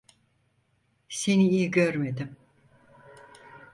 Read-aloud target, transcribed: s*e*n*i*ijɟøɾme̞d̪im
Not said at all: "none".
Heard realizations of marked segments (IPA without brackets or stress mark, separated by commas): e, i